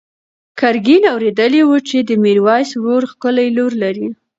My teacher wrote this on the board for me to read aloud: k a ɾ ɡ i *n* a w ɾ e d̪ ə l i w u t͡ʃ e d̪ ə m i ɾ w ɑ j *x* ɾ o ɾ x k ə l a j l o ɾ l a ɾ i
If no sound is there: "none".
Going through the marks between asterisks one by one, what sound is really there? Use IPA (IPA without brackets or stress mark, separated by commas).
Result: n, s